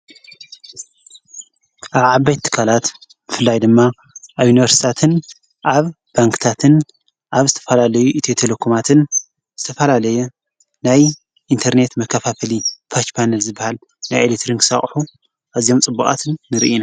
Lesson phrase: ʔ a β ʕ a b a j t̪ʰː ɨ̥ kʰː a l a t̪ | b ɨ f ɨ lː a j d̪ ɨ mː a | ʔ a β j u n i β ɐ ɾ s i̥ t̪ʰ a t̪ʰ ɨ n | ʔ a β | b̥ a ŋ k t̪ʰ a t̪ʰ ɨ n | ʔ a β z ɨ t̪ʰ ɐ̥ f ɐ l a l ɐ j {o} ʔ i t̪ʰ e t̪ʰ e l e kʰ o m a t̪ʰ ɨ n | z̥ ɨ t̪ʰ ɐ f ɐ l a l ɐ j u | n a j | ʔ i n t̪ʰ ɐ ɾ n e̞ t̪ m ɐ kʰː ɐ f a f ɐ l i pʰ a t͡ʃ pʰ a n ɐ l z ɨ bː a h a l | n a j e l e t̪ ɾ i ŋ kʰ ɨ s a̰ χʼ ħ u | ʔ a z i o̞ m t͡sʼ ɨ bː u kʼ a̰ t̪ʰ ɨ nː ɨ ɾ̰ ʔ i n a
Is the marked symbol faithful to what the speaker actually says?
no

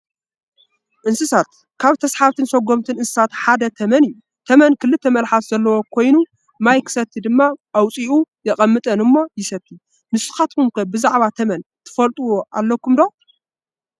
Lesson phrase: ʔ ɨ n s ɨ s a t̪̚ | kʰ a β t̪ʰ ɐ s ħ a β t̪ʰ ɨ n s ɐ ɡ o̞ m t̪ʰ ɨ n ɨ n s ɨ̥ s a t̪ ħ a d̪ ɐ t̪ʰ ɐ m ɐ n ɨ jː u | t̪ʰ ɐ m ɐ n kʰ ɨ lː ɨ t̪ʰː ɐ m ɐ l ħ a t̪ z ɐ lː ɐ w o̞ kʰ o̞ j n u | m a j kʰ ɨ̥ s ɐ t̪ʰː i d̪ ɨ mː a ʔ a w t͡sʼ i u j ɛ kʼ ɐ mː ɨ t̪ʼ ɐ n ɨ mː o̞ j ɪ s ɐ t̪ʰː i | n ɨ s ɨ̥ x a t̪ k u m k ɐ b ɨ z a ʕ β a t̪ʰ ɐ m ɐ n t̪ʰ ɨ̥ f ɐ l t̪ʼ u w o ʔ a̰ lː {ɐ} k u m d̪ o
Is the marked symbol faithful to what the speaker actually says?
yes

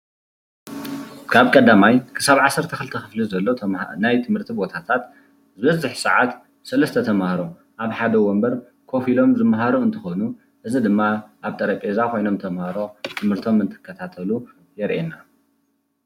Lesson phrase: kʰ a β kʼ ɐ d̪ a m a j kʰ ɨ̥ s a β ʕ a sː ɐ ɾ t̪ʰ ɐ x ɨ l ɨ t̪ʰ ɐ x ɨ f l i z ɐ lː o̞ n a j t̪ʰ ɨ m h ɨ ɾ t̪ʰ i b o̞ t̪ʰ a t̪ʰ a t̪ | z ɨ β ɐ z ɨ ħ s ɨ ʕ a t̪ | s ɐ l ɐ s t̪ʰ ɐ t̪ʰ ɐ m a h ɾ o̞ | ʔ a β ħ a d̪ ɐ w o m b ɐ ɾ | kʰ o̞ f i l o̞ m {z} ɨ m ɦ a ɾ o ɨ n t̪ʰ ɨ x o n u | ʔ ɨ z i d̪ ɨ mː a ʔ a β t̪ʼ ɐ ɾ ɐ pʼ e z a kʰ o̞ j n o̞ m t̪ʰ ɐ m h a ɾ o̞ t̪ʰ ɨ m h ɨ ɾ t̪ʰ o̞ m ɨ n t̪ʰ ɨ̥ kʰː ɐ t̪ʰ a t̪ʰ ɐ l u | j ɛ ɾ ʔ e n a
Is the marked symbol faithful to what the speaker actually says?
yes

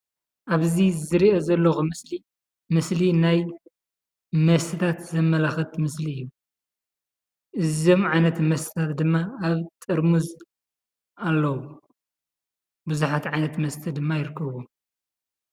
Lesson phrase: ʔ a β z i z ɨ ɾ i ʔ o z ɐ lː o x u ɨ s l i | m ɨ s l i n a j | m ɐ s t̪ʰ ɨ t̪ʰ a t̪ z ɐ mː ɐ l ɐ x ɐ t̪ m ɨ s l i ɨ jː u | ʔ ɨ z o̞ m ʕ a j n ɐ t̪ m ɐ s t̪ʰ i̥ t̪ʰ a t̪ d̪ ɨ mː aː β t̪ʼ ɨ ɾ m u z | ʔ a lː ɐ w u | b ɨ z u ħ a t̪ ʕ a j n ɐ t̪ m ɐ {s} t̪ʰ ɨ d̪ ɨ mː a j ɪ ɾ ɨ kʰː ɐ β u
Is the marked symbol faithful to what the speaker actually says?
yes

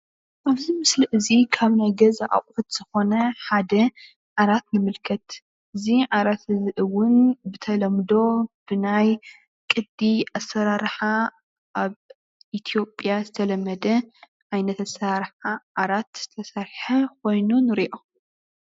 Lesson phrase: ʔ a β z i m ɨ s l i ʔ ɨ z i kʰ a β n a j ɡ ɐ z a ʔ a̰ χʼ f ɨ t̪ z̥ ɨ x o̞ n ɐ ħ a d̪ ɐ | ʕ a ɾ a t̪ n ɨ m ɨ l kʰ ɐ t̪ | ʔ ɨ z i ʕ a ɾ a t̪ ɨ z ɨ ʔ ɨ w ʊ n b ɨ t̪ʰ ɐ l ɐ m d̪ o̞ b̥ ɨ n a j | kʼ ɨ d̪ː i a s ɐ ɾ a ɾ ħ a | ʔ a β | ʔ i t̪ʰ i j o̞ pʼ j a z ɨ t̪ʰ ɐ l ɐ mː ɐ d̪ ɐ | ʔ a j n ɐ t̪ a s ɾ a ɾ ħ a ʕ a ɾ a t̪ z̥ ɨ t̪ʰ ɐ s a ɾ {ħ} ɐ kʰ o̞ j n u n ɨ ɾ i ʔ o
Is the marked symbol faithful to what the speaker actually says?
yes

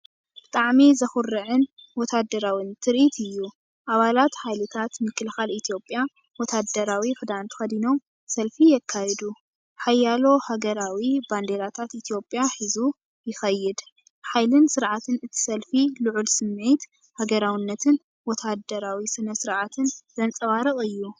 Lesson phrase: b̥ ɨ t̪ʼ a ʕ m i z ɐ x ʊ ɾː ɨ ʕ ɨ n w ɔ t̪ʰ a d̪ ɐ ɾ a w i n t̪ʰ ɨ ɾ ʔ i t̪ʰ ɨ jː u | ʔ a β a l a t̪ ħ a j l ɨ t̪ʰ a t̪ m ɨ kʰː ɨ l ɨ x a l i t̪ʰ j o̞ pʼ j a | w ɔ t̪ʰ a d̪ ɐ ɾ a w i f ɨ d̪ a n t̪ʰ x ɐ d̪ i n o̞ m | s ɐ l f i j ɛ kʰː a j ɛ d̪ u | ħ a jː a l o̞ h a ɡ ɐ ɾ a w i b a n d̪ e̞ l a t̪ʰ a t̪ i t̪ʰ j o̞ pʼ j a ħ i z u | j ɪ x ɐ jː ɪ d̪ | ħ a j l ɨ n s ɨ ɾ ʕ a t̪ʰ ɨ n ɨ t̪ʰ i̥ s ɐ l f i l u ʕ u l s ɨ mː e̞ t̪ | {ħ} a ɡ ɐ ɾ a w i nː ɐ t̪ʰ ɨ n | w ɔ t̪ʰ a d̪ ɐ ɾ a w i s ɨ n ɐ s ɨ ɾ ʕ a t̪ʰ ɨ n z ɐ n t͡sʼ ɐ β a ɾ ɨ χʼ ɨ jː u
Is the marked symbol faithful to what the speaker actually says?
no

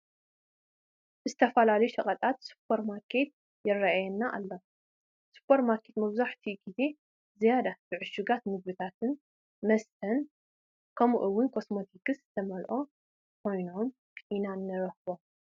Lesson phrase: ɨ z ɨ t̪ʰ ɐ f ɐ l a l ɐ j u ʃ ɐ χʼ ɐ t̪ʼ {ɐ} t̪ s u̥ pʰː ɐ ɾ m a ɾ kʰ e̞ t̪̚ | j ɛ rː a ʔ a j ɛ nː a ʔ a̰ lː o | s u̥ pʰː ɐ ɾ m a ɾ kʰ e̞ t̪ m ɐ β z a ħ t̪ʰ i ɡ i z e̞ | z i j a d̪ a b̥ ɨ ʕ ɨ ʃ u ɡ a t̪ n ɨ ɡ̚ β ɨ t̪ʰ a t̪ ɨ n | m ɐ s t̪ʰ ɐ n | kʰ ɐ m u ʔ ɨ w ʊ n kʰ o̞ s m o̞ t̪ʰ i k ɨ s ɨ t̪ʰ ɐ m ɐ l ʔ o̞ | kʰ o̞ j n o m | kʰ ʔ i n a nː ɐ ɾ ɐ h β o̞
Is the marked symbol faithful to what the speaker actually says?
no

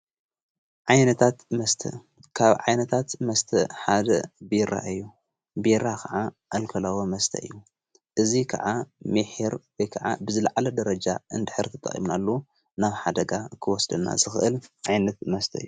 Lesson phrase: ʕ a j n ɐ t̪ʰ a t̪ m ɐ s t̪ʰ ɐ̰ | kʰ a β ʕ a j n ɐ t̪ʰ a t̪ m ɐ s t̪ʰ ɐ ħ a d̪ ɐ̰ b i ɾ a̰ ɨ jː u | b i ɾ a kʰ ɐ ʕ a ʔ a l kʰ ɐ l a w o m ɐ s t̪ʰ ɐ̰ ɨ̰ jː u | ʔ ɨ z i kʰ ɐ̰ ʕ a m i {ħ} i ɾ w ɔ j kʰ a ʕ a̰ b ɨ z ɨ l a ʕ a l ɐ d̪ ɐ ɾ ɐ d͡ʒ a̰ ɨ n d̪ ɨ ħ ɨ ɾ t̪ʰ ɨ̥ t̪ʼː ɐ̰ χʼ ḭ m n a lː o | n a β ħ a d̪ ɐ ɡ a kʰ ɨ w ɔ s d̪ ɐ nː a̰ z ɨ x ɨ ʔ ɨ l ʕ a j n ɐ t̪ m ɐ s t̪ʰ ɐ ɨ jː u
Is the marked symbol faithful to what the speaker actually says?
yes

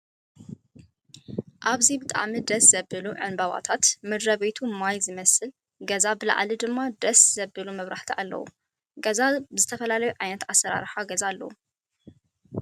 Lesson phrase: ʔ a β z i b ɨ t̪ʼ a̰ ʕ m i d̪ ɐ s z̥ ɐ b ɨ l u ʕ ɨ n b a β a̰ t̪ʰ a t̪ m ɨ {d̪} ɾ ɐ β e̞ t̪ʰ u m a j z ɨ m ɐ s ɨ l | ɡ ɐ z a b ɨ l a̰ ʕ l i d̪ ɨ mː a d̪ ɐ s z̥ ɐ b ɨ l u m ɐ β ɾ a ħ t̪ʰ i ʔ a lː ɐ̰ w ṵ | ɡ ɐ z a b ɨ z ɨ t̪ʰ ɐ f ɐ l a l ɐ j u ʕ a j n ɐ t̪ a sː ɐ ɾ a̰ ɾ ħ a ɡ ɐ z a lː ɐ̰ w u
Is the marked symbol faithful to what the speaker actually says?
yes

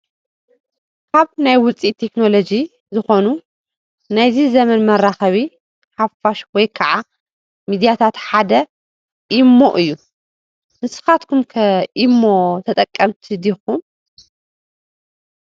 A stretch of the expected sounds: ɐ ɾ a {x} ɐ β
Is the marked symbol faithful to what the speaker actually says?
yes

